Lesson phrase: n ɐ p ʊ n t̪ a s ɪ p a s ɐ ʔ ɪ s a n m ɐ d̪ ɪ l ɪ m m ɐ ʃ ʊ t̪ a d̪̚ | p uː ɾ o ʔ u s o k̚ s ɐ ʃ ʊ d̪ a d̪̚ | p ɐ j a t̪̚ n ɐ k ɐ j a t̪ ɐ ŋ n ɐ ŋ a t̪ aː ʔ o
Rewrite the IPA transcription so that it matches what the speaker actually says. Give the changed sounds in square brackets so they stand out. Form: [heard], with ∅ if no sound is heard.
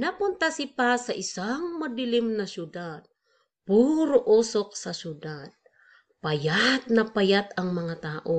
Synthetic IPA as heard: n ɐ p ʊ n t̪ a s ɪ p a s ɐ ʔ ɪ s a [ŋ] m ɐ d̪ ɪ l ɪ m [n] ɐ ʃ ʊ [d̪] a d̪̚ | p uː ɾ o ʔ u s o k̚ s ɐ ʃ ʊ d̪ a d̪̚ | p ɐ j a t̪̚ n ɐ [p] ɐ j a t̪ ɐ ŋ [m] ɐ ŋ a t̪ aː ʔ o